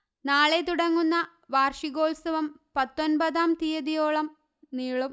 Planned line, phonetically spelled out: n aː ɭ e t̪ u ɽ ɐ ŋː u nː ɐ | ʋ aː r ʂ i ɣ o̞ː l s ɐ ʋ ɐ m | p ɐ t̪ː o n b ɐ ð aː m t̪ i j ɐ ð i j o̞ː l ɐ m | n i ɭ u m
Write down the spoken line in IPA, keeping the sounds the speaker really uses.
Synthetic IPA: n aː ɭ e t̪ u ɽ ɐ ŋː u nː ɐ | ʋ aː r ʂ i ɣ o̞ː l s ɐ ʋ ɐ m | p ɐ t̪ː o n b ɐ ð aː m t̪ i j ɐ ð i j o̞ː ɭ ɐ m | n iː ɭ u m